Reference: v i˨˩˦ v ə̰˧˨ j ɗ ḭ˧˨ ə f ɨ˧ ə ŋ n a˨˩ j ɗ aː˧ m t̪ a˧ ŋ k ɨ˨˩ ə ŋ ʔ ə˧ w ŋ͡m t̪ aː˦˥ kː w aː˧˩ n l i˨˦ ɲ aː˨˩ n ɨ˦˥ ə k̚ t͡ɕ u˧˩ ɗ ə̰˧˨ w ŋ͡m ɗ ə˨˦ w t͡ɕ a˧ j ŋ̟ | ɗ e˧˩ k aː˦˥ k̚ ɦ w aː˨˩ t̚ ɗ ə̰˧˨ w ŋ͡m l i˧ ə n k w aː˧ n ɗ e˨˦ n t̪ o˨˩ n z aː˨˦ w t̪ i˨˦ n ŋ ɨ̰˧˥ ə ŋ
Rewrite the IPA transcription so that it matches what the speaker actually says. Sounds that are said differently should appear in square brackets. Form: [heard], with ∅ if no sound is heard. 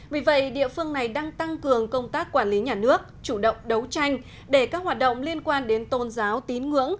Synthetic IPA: v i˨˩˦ v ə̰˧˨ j ɗ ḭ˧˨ ə f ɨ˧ ə ŋ n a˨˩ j ɗ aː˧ [ŋ] t̪ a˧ ŋ k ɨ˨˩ ə ŋ [k] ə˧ w ŋ͡m t̪ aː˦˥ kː w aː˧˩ n l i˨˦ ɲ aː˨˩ n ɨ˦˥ ə k̚ t͡ɕ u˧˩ ɗ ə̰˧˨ w ŋ͡m ɗ ə˨˦ w t͡ɕ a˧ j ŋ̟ | ɗ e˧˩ k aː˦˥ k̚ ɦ w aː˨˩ t̚ ɗ ə̰˧˨ w ŋ͡m l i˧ ə n k w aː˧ n ɗ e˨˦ n t̪ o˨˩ n z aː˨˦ w t̪ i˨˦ n ŋ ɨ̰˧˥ ə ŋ